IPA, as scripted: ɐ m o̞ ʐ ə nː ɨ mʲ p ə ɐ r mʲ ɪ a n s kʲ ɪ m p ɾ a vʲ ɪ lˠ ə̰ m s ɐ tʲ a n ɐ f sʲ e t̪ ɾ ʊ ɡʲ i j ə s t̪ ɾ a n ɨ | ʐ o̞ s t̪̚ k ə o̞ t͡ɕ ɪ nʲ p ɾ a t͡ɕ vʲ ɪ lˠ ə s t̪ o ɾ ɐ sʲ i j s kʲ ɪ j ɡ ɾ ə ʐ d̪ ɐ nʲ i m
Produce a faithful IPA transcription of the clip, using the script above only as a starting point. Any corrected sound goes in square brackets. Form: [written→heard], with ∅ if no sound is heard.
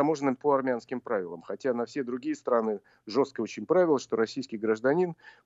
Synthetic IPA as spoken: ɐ m o̞ ʐ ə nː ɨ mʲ p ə ɐ r mʲ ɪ a n s kʲ ɪ m p ɾ a vʲ ɪ lˠ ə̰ m [s→x] ɐ tʲ a n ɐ f sʲ e [t̪→d̪] ɾ ʊ ɡʲ i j ə s t̪ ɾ a n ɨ | ʐ o̞ s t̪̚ k ə o̞ t͡ɕ ɪ nʲ p ɾ a [t͡ɕ→∅] vʲ ɪ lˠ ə [s→ʂ] t̪ o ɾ ɐ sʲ i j s kʲ ɪ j ɡ ɾ ə ʐ d̪ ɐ nʲ i [m→n]